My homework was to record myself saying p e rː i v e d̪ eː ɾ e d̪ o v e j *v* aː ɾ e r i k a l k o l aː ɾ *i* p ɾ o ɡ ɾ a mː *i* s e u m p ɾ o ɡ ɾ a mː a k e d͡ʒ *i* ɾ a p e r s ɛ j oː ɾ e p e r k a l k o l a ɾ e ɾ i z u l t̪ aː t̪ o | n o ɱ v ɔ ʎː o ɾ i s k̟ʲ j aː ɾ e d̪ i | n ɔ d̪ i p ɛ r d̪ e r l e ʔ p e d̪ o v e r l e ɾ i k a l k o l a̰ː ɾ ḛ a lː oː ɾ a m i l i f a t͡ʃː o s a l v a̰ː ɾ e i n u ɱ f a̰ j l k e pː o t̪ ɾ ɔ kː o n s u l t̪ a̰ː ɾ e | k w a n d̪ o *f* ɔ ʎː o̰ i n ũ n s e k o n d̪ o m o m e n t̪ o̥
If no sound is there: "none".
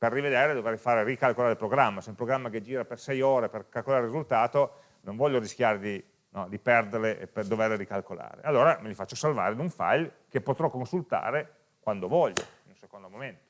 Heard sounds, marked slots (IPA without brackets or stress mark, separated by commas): f, e, a, iː, v